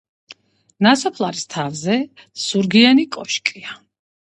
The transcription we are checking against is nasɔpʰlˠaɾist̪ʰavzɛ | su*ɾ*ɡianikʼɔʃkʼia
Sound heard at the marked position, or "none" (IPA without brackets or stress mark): ɾ